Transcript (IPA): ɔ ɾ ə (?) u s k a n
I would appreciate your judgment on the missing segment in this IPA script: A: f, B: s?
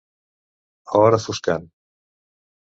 A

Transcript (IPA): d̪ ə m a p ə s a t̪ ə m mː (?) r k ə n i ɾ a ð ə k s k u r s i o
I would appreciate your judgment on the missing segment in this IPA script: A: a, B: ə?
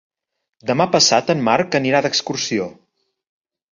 A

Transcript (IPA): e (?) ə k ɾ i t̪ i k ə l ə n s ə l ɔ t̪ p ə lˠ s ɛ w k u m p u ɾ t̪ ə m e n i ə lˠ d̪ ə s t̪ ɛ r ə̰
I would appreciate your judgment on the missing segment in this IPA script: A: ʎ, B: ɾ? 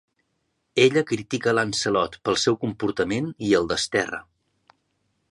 A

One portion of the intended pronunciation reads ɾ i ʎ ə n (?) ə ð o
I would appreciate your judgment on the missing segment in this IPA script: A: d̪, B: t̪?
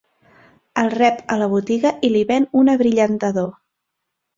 B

